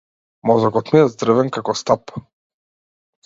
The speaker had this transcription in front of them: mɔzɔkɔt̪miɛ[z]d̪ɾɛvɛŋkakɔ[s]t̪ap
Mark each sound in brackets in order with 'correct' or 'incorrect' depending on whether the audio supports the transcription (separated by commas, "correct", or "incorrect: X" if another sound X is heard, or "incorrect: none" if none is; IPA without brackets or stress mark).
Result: correct, correct